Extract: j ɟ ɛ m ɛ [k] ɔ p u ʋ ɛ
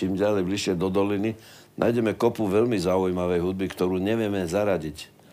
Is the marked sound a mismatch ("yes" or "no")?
no